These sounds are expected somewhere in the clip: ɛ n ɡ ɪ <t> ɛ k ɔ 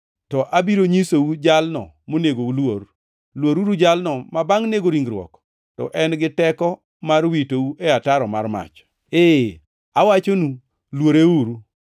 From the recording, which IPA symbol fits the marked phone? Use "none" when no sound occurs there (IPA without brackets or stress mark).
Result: t